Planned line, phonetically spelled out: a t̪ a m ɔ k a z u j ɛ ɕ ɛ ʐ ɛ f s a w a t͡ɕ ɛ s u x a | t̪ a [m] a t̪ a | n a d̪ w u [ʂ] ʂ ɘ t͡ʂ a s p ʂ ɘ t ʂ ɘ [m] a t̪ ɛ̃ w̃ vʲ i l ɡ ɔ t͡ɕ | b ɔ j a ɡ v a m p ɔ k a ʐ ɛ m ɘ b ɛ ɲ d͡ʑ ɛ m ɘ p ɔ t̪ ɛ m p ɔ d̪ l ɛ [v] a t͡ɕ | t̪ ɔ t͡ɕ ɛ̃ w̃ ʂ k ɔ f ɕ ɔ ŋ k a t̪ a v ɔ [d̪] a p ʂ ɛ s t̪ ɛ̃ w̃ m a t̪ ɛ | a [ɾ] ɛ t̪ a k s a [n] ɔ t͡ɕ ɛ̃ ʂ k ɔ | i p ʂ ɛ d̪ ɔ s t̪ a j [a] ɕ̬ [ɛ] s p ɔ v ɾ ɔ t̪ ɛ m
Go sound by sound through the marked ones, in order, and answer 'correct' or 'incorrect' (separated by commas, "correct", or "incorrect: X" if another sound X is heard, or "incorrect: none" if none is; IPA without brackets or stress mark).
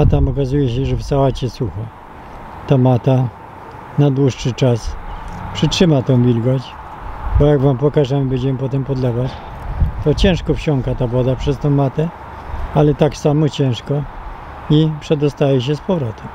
correct, correct, correct, correct, correct, incorrect: l, incorrect: m, incorrect: ɛ, correct